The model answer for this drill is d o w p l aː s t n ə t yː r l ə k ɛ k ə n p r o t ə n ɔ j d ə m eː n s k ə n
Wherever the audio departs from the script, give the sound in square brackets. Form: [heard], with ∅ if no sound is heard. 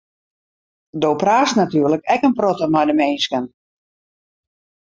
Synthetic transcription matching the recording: d o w p [r] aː s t n [a] t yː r l ə k ɛ k ə n p r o t ə [m] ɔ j d ə m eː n s k ə n